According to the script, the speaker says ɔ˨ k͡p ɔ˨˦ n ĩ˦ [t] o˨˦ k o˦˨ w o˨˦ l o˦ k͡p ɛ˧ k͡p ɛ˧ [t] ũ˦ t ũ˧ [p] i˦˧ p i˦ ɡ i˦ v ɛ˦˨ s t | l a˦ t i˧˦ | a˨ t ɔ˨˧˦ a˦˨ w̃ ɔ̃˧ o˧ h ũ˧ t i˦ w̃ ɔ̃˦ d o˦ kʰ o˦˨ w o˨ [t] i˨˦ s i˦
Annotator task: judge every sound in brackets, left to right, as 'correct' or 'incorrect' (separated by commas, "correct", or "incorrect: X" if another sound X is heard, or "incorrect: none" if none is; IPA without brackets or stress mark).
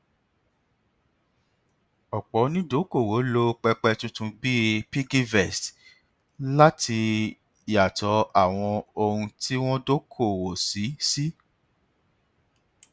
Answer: incorrect: d, correct, incorrect: b, incorrect: s